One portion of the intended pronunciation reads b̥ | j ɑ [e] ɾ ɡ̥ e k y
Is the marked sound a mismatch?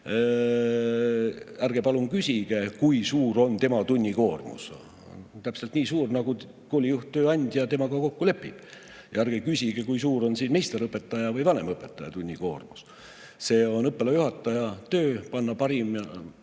yes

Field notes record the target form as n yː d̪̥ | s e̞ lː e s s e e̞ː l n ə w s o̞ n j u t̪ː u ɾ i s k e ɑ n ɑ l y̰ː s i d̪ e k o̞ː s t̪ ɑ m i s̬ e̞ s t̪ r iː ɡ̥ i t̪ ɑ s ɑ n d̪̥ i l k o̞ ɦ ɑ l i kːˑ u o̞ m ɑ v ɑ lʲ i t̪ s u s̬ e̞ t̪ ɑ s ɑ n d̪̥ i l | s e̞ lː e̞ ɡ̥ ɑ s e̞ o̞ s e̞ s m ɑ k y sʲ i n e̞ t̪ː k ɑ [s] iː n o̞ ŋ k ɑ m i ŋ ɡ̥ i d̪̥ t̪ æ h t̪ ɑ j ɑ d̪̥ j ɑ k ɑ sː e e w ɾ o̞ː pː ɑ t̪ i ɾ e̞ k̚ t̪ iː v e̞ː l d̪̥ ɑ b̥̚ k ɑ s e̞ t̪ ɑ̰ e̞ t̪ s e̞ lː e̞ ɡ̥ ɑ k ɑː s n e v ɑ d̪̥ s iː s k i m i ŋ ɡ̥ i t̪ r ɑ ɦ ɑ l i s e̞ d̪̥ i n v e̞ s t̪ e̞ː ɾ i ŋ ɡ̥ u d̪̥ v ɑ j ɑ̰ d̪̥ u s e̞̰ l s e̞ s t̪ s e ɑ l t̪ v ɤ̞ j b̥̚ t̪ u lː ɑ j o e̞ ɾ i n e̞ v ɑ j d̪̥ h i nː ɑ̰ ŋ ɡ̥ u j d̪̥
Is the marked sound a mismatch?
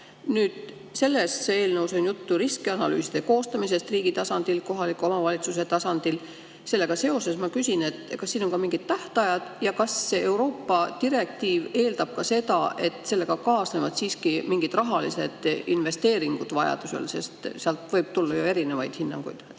yes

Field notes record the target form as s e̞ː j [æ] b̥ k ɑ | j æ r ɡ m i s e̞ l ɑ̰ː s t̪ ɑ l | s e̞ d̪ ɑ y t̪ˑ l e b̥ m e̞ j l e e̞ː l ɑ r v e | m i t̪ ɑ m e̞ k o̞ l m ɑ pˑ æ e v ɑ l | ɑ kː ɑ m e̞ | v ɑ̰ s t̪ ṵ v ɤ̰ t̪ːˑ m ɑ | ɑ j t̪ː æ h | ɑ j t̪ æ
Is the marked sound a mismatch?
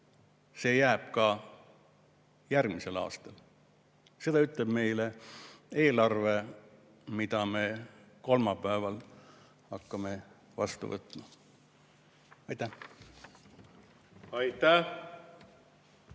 yes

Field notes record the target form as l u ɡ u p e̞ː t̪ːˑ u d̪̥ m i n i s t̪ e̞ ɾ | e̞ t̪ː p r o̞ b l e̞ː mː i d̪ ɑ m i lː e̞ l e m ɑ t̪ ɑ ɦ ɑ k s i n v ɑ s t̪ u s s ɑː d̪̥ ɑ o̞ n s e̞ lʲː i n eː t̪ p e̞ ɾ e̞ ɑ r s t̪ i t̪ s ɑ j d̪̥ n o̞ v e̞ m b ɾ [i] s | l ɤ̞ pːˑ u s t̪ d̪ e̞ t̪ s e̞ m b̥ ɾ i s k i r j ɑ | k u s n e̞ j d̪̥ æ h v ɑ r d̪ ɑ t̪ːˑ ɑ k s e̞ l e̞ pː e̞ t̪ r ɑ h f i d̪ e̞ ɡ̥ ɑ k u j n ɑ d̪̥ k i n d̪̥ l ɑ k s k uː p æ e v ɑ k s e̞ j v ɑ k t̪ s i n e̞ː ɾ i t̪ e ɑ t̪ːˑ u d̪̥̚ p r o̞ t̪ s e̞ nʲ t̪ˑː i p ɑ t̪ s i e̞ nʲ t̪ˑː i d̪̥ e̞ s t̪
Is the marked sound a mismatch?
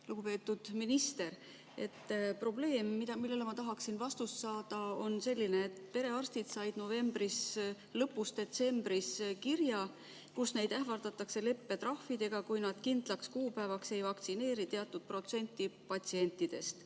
no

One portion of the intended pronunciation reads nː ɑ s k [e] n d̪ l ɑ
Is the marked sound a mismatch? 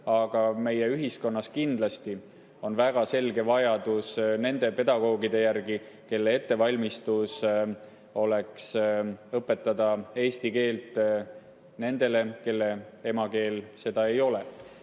yes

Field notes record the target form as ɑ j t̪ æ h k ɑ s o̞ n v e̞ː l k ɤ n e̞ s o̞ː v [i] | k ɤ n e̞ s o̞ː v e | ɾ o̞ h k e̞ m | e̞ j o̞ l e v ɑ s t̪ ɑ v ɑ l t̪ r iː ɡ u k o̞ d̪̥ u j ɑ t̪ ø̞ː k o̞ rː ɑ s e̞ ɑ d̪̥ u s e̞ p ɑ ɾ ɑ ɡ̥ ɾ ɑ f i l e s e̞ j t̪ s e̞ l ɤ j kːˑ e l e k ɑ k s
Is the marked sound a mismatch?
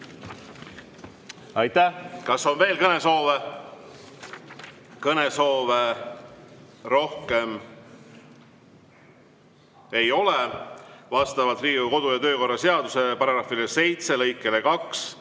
yes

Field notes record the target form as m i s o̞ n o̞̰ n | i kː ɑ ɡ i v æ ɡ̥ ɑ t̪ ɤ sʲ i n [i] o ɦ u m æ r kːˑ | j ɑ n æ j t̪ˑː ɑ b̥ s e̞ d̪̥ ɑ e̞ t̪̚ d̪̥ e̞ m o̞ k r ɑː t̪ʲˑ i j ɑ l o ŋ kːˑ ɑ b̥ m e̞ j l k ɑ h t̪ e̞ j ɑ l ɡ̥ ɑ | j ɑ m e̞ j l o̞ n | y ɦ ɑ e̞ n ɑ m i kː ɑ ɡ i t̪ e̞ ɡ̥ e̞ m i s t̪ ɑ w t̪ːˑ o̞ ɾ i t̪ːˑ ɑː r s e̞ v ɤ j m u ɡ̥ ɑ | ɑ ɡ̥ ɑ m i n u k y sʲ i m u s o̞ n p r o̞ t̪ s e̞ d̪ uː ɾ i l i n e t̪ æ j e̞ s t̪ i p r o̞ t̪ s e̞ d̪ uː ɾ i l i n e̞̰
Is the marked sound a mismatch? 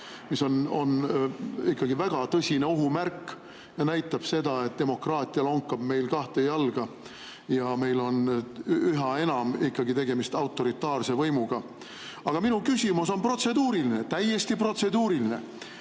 yes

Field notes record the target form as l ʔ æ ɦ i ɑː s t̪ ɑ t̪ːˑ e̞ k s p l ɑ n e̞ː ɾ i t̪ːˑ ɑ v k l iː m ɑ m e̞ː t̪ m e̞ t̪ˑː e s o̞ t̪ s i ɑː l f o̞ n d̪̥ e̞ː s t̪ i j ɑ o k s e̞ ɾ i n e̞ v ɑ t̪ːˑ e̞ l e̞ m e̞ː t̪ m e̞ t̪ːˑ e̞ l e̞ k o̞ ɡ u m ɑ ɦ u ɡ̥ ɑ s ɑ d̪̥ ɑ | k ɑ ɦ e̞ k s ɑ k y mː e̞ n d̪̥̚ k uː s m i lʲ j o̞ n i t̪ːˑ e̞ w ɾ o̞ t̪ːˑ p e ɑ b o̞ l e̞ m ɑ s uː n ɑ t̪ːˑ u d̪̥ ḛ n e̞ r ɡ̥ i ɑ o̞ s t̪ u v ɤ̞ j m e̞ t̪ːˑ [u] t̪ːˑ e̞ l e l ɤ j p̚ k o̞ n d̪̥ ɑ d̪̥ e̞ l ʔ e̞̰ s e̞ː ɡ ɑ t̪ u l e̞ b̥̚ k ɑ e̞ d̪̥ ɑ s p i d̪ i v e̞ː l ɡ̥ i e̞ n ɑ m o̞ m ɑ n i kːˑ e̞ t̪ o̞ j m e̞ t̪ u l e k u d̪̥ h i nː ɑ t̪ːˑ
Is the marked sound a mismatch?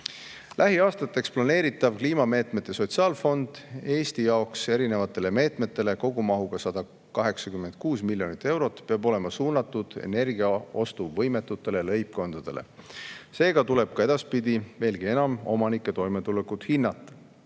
no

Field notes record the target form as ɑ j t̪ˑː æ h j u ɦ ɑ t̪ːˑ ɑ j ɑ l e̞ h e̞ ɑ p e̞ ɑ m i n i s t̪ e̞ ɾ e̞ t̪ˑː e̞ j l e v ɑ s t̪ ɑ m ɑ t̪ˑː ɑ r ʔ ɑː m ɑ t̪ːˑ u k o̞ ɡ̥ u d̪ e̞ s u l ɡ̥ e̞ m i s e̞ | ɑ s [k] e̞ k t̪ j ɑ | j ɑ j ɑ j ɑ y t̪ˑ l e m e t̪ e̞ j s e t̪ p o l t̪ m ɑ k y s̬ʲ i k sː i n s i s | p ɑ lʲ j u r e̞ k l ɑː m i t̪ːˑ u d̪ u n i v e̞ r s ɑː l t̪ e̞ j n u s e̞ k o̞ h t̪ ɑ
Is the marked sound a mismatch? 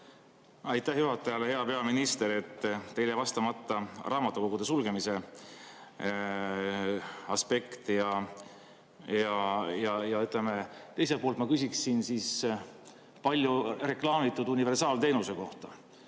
yes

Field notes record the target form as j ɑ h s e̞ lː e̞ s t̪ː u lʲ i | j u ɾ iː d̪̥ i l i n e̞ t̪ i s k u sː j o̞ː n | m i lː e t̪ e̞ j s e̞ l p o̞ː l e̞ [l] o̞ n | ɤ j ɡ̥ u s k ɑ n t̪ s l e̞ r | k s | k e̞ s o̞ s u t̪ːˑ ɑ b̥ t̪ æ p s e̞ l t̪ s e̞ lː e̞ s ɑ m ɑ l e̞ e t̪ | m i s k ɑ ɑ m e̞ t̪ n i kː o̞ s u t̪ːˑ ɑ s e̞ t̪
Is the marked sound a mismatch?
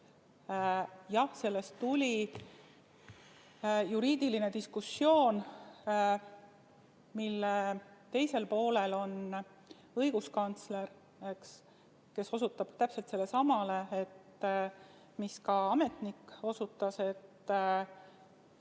no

